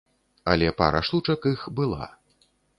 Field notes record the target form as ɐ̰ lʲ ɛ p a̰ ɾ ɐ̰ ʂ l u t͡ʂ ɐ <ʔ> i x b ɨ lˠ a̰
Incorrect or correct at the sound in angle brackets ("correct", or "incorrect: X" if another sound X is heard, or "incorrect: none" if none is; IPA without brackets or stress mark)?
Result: incorrect: k